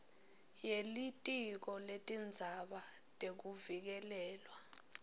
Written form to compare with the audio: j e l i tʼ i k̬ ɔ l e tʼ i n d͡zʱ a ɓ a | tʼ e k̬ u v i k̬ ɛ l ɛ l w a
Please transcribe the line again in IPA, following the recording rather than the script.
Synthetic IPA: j e l i tʼ i k̬ ɔ l e tʼ i n d͡zʱ a ɓ a | tʼ e k̬ u v i k̬ ɛ l ɛː l w a